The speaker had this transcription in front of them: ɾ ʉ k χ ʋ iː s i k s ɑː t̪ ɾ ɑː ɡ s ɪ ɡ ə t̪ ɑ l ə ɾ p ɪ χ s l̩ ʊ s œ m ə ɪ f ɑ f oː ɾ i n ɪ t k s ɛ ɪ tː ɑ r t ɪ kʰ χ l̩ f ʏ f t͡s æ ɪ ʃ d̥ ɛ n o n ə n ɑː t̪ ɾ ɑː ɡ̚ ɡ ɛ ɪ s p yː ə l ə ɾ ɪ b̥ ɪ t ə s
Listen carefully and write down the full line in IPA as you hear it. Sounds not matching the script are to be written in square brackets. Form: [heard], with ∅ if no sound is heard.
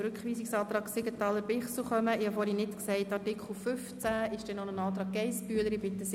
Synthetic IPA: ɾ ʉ k χ ʋ iː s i k s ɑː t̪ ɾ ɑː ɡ s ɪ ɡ ə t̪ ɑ l ə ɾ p ɪ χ s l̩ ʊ [χ] œ m ə ɪ [h] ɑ f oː ɾ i n ɪ t k s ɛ ɪ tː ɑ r t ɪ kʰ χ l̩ f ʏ f t͡s æ ɪ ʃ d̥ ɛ n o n ə n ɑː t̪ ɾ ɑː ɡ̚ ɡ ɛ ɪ s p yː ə l ə ɾ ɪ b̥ ɪ t ə s